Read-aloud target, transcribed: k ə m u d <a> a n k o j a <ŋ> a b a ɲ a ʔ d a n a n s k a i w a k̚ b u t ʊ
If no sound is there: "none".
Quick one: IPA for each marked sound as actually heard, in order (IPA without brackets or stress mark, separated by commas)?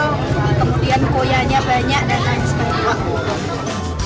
i, ɲ